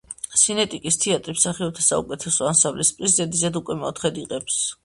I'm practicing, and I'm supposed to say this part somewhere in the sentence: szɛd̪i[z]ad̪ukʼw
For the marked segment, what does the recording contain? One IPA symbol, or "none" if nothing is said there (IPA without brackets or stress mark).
z